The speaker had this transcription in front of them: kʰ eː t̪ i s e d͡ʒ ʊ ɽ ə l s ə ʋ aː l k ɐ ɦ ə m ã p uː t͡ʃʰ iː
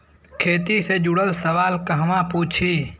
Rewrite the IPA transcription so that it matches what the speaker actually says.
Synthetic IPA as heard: kʰ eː t̪ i s e d͡ʒ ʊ ɽ ə l s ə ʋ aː l k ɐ ɦ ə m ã p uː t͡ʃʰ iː